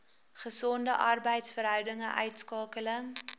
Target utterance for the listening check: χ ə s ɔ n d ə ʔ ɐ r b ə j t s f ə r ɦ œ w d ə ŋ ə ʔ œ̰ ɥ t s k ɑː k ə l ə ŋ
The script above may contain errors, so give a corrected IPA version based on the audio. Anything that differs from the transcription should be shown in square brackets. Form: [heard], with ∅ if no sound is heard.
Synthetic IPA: χ ə s ɔ n d ə ʔ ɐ r b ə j t s f ə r ɦ œ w d ə ŋ ə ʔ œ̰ ɥ t s k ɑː k ə l ə ŋ